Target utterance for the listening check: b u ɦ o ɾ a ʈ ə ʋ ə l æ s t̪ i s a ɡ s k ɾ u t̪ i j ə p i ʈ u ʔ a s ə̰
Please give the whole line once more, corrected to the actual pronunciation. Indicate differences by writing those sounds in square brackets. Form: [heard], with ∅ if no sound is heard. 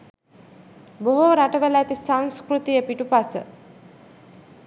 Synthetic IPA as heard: b [o] ɦ o ɾ a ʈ ə ʋ ə l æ [∅] t̪ i s a [ŋ] s k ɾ u t̪ i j ə p i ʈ u [p] a s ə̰